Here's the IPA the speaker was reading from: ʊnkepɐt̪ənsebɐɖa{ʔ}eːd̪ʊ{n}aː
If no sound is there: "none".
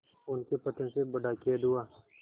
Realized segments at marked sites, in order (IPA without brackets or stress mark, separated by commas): k, none